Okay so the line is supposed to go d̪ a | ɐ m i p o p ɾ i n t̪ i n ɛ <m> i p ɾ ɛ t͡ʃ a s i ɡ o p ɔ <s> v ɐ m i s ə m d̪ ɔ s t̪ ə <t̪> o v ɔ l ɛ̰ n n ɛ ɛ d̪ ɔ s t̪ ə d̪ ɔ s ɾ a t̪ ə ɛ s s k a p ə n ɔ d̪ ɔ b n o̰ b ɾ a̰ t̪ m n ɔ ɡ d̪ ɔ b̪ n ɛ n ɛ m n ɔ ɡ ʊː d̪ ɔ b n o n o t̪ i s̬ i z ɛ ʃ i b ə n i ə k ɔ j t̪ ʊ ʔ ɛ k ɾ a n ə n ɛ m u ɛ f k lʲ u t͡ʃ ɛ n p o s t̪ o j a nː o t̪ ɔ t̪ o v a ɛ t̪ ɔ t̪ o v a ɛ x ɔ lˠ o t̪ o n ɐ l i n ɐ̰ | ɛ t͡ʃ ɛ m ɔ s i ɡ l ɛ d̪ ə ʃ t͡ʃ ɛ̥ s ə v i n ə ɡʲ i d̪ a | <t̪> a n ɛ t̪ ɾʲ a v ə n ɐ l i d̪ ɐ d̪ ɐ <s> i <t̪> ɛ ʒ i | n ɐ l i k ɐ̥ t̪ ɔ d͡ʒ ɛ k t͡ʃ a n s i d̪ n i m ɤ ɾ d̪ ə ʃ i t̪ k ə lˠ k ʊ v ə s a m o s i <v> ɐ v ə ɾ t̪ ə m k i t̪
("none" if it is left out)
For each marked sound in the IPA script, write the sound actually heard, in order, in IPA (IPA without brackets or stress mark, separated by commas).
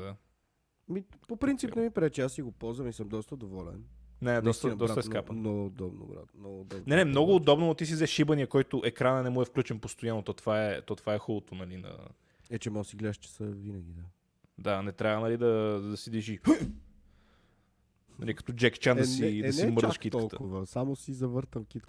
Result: m, z, d̪, d̪, s, d̪, z